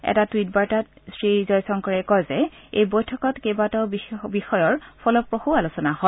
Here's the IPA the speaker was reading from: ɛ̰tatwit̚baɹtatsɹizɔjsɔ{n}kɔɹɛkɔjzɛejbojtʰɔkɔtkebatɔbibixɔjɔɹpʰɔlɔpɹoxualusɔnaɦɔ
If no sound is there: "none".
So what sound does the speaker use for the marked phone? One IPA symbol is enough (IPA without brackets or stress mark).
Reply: ŋ